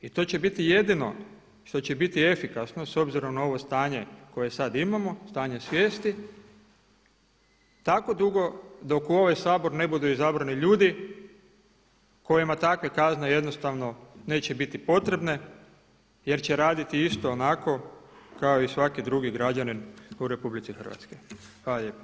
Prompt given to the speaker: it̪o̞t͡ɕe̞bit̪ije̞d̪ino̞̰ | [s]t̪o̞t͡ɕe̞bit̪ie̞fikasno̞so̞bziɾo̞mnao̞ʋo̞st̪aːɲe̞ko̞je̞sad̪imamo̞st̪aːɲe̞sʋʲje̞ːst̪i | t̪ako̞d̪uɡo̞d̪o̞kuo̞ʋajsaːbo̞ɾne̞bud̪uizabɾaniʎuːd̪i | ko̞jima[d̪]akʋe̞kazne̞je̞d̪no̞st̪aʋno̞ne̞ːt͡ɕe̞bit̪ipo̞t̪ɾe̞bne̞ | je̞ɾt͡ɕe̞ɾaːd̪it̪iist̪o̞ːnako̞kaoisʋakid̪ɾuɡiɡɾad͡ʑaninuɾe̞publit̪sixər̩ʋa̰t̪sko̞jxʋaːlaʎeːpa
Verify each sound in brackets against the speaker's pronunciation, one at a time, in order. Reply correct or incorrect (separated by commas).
incorrect, incorrect